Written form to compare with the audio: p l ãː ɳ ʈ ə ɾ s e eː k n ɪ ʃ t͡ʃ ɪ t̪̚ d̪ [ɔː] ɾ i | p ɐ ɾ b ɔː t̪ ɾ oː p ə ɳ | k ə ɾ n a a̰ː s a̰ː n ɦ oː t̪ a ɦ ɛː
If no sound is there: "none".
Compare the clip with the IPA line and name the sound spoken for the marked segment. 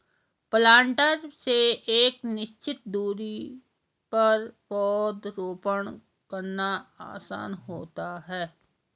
uː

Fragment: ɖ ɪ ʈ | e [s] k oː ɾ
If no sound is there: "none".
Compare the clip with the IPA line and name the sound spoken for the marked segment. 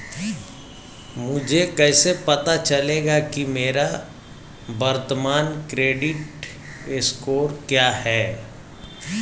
s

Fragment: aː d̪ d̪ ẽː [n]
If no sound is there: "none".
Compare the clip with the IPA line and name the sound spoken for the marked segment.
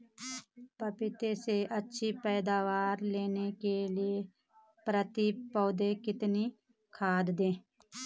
none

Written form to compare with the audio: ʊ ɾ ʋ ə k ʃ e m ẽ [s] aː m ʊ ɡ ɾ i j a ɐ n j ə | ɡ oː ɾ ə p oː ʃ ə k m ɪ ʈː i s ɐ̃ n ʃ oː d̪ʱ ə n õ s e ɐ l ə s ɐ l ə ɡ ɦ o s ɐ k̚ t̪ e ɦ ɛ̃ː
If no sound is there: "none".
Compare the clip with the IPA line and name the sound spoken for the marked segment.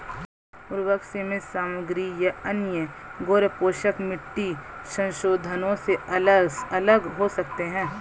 s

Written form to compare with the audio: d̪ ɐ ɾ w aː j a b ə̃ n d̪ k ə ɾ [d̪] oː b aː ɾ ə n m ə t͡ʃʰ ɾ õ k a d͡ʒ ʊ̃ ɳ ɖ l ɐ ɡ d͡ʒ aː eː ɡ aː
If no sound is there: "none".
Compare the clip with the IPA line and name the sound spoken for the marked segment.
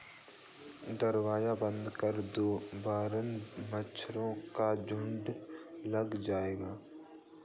d̪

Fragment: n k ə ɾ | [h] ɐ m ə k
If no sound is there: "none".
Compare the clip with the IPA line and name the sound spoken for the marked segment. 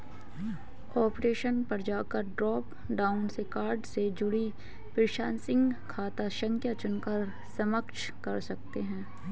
s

